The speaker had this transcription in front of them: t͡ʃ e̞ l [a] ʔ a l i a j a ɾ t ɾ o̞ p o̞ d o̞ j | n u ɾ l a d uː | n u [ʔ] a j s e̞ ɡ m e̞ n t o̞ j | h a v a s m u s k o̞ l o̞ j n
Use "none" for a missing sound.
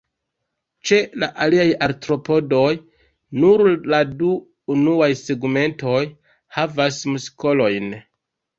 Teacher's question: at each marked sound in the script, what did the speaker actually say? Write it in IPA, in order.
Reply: a, none

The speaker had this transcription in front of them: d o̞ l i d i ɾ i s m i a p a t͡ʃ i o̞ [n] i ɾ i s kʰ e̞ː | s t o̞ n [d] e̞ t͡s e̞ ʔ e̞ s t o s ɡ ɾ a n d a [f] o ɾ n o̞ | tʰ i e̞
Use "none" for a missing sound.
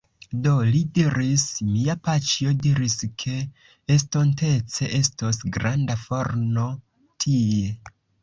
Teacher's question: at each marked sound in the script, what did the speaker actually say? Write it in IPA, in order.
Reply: d, t, f

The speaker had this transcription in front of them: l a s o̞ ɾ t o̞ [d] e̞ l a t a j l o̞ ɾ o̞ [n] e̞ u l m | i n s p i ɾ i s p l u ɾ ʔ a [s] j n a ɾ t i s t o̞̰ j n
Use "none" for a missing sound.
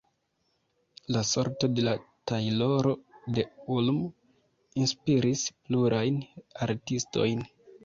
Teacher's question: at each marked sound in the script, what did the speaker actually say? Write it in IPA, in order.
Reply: d, d, none

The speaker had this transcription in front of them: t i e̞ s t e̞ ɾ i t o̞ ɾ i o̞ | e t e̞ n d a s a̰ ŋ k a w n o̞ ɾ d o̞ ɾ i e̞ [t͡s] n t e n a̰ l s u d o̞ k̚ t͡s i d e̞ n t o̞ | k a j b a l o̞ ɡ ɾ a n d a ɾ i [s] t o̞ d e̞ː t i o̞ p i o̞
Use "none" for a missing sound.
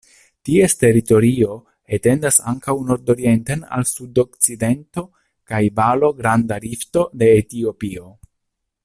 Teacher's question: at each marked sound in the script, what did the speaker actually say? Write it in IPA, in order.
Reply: none, f

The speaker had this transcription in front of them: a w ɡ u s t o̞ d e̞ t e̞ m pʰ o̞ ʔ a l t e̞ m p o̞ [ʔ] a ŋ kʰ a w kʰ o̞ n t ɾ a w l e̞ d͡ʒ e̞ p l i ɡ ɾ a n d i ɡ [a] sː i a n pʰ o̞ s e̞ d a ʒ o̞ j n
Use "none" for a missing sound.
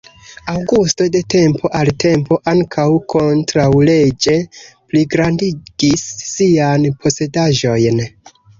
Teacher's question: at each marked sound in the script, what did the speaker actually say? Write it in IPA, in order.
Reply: ʔ, i

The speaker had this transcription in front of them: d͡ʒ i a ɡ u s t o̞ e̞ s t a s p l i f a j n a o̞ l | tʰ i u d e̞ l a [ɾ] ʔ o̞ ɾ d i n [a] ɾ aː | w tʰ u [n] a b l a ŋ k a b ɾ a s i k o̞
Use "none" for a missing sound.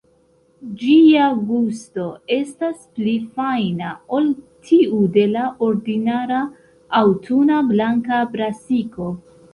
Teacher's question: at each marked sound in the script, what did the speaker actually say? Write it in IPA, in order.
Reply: none, a, n

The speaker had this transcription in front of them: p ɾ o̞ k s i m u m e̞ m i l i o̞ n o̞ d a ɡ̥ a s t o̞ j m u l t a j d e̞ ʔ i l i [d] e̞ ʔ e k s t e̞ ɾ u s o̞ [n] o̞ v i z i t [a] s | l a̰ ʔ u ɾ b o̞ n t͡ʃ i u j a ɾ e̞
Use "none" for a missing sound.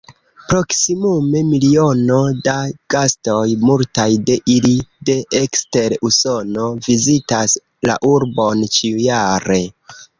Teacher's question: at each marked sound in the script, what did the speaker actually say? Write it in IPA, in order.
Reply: d, n, a

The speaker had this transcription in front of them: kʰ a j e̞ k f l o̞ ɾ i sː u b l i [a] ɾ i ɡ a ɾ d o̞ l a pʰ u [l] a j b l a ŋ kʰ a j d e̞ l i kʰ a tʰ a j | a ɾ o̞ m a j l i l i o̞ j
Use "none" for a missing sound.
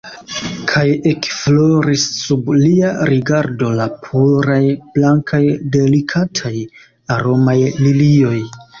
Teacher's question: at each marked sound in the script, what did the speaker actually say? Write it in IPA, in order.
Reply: a, ɾ

